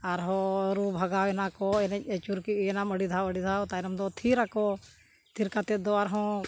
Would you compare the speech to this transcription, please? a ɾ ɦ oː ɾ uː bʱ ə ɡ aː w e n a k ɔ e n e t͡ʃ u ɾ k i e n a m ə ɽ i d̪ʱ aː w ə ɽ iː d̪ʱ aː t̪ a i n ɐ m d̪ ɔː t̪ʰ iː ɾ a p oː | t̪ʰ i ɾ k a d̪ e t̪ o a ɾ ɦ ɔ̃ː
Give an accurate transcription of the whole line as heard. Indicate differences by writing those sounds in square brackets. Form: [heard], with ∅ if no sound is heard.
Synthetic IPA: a ɾ ɦ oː ɾ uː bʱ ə ɡ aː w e n a k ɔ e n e t͡ʃ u ɾ k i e n a m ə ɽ i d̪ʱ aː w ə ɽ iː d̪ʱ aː t̪ a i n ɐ m d̪ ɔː t̪ʰ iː ɾ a [k] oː | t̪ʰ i ɾ k a [t̪] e [d̪] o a ɾ ɦ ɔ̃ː